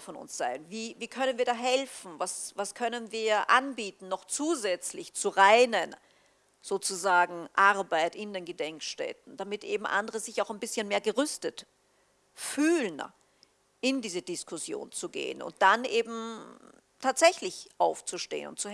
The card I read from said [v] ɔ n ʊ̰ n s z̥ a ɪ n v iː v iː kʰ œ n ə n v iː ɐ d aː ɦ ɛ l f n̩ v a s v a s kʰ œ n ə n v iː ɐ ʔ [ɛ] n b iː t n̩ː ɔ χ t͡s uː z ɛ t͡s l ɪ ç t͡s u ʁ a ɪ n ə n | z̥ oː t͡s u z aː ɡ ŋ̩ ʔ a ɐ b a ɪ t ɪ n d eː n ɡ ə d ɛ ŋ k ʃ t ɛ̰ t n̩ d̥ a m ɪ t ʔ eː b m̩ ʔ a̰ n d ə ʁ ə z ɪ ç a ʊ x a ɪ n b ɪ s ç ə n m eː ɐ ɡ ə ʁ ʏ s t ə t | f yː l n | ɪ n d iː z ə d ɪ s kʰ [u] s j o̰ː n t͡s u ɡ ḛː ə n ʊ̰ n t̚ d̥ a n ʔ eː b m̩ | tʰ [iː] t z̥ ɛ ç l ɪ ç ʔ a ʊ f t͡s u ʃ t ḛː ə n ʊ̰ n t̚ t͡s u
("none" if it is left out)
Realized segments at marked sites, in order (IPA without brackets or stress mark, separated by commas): f, a, ʊ, aː